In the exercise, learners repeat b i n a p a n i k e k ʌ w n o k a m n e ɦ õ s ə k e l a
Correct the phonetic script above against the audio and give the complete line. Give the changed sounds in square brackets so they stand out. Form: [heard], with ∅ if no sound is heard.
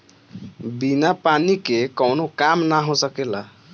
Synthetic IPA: b i n a p a n i k e k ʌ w n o k a m n [a] ɦ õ s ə k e l a